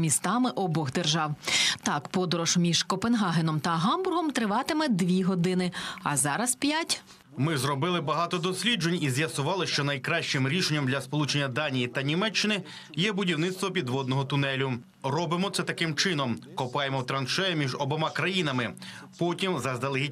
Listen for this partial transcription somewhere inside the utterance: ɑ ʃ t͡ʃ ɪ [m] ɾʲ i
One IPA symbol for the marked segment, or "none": m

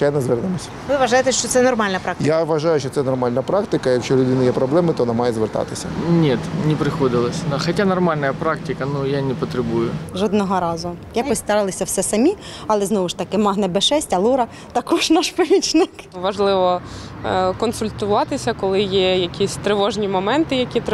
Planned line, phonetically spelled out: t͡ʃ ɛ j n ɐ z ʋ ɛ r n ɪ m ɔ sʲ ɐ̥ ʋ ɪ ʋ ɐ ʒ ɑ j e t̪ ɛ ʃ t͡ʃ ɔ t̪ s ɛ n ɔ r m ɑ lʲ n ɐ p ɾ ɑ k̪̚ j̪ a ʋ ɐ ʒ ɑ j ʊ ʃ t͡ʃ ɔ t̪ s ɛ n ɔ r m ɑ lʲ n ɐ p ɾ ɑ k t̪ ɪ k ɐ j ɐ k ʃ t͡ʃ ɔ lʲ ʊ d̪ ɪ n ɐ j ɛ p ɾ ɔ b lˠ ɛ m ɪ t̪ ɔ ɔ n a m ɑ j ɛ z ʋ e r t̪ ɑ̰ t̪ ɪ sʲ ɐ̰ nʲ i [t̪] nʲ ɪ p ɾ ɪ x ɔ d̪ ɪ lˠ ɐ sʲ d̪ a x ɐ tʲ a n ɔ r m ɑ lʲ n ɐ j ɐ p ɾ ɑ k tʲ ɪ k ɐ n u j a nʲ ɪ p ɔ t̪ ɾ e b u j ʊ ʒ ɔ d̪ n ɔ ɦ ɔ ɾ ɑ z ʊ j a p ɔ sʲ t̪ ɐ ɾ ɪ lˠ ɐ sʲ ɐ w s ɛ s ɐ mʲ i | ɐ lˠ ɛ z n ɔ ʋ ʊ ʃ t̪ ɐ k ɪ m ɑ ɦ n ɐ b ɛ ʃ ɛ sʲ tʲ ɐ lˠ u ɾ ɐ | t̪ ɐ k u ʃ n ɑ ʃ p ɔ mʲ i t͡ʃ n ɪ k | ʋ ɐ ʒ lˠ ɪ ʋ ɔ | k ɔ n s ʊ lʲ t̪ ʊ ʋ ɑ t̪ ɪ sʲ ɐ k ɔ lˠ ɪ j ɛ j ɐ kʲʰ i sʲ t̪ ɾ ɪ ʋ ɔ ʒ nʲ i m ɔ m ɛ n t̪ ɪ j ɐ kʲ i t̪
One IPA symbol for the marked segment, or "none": t̪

